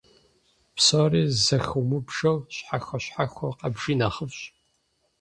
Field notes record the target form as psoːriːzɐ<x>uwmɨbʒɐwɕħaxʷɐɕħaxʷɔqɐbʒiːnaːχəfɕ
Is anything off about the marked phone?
no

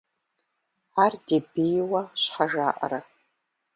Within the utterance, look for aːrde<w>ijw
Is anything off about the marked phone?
yes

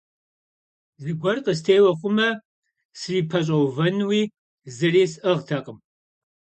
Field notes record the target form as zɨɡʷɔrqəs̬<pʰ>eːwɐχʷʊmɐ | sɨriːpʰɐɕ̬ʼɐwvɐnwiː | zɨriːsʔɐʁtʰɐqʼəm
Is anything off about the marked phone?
yes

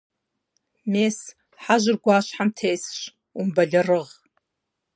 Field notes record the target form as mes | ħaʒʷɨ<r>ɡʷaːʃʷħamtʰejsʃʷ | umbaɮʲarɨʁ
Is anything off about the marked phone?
no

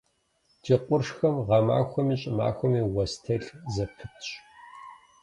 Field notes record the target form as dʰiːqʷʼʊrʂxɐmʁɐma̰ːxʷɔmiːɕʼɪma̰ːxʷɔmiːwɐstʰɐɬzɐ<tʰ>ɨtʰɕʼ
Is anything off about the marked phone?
yes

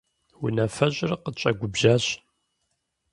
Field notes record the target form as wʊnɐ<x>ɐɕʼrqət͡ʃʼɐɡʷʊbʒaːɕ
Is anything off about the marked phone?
yes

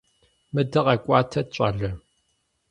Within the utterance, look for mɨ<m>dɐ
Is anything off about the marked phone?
yes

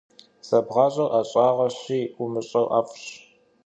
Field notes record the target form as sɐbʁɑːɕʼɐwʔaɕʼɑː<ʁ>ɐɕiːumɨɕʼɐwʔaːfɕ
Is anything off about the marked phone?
no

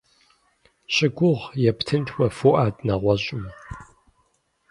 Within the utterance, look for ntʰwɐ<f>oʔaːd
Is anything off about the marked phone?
no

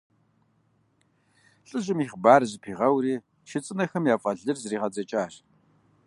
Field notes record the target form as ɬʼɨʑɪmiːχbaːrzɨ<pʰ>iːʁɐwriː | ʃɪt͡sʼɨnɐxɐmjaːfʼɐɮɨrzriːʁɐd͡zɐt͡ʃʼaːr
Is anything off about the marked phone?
no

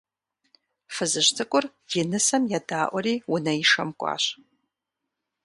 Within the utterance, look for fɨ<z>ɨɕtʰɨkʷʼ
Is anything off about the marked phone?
no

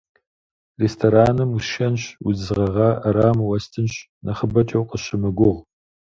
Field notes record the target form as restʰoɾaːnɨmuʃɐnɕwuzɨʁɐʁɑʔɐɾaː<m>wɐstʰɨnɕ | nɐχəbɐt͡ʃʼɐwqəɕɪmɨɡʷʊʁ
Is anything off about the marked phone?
no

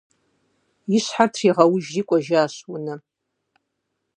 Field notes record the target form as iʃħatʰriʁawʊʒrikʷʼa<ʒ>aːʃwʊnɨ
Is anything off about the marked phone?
no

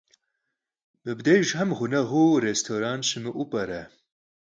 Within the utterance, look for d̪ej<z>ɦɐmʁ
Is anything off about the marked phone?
yes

